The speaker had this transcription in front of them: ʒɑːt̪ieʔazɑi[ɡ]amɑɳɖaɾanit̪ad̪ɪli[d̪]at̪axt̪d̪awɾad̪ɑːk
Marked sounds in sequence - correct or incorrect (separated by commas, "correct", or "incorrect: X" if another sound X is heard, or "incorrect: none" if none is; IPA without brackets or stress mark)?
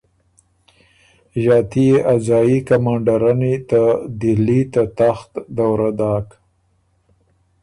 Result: incorrect: k, incorrect: t̪